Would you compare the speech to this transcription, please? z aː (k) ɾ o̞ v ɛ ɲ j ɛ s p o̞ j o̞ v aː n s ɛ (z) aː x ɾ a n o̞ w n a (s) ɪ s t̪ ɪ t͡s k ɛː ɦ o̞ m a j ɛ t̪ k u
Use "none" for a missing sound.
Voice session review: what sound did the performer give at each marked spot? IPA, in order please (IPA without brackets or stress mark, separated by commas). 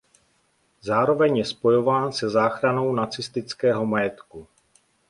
none, z, t͡s